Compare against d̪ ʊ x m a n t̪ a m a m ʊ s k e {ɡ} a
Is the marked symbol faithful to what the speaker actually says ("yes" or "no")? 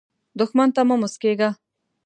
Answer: yes